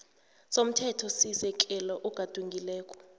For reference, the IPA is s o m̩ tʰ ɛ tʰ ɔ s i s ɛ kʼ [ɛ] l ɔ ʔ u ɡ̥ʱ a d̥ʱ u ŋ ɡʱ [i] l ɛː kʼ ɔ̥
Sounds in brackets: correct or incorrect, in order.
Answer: correct, correct

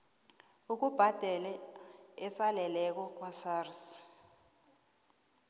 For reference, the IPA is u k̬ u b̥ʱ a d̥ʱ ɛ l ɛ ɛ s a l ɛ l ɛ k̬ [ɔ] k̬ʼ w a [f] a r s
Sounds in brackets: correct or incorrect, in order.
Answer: correct, incorrect: s

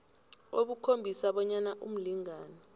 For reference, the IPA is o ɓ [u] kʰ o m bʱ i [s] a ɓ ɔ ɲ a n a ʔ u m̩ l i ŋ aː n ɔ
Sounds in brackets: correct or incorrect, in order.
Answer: correct, correct

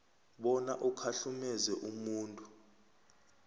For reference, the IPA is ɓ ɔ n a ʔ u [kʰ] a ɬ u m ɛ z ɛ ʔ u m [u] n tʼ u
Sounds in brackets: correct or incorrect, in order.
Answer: correct, incorrect: uː

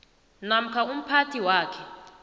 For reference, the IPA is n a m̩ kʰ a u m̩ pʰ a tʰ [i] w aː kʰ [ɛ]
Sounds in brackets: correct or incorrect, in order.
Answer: correct, correct

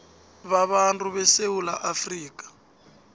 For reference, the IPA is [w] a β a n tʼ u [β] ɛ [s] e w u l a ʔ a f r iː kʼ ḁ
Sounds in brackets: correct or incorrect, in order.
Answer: incorrect: β, correct, correct

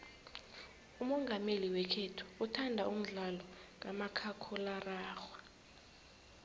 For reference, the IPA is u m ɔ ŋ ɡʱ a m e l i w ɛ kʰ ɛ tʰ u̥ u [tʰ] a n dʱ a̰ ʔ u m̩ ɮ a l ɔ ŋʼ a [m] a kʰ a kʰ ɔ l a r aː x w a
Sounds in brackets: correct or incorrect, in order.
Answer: correct, correct

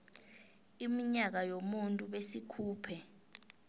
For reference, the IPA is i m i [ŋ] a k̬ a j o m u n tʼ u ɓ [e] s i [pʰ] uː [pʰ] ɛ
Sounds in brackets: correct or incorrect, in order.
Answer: incorrect: ɲ, correct, incorrect: kʰ, correct

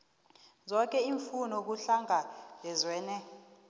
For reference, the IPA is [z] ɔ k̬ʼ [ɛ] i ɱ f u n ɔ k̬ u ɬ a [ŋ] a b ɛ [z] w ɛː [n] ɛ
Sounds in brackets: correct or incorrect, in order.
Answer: correct, correct, correct, correct, correct

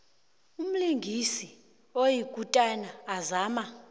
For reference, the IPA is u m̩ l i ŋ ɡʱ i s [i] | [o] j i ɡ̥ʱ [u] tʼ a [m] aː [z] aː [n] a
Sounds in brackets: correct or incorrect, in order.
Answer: correct, correct, correct, incorrect: n, correct, incorrect: m

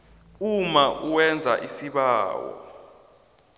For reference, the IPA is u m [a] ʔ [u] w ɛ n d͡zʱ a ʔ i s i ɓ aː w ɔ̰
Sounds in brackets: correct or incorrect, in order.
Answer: correct, correct

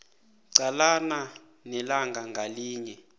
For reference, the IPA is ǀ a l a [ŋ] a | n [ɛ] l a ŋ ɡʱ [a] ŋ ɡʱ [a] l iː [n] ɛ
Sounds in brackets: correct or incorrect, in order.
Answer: incorrect: n, correct, correct, correct, incorrect: ɲ

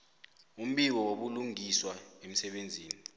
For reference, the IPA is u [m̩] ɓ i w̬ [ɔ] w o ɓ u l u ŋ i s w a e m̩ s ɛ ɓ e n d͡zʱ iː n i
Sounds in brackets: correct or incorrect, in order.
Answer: correct, correct

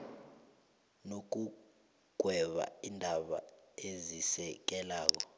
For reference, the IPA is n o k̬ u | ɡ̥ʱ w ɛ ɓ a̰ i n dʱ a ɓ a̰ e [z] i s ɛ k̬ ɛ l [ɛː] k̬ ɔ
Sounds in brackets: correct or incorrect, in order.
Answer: correct, incorrect: aː

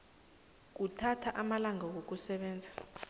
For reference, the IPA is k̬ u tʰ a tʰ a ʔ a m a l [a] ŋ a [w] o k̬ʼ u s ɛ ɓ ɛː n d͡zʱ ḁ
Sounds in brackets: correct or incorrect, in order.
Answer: correct, correct

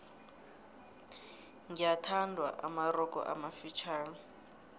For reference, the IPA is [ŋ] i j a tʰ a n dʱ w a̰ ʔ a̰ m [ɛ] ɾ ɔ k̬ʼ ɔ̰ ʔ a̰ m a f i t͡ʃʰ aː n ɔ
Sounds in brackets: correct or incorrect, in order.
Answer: correct, incorrect: a

